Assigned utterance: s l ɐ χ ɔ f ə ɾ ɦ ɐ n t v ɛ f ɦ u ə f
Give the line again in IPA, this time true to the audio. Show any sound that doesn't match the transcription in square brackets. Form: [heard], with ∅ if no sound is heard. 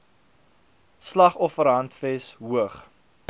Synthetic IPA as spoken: s l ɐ χ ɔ f ə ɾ ɦ ɐ n t [f] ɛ [s] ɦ u ə [χ]